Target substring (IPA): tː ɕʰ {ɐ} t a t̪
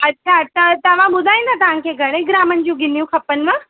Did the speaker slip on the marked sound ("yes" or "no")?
yes